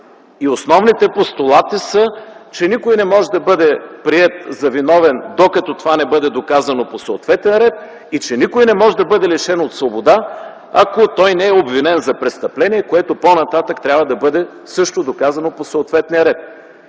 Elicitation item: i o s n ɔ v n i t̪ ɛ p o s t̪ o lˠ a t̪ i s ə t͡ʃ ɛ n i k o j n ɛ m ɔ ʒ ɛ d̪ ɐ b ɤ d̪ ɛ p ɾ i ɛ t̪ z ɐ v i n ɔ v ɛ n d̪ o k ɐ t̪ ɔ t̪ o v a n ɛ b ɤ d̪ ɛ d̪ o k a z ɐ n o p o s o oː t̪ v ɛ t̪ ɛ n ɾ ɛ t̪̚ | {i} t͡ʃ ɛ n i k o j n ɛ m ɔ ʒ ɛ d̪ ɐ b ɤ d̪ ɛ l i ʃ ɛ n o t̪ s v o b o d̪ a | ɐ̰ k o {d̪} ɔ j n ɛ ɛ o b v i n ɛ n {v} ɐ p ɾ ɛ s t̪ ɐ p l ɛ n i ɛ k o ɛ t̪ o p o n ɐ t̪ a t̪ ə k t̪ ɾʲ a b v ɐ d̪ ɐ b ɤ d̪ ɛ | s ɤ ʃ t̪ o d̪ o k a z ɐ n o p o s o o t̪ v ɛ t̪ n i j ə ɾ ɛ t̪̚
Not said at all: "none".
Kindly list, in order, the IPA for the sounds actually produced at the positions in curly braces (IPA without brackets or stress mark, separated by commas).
i, t̪, z